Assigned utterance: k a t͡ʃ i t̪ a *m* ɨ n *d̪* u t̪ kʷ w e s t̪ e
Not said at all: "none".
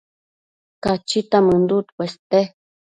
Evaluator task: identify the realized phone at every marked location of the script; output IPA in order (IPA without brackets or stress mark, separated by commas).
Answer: m, d̪